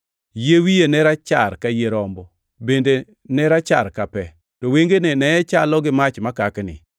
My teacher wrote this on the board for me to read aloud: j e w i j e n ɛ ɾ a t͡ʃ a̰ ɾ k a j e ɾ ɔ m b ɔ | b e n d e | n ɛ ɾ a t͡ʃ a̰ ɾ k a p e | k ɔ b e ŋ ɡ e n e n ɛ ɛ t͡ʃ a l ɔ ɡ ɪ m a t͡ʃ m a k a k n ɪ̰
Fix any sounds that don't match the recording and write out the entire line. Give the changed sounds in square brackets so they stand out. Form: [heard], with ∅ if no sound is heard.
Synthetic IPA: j e w i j e n ɛ ɾ a t͡ʃ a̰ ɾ k a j e ɾ ɔ m b ɔ | b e n d e | n ɛ ɾ a t͡ʃ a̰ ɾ k a p [ɛ] | [t] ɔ [w] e ŋ ɡ e n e n ɛ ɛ t͡ʃ a l ɔ ɡ ɪ m a t͡ʃ m a k a k n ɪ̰